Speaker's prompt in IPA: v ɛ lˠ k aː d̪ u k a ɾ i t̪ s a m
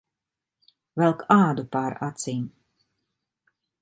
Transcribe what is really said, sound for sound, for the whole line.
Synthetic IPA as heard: v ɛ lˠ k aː d̪ u p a ɾ a t̪ s i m